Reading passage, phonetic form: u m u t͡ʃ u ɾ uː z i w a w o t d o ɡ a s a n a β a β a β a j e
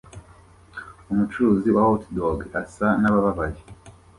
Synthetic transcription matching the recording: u m u t͡ʃ u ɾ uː z i w a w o t d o ɡ a s a n a β a β a β a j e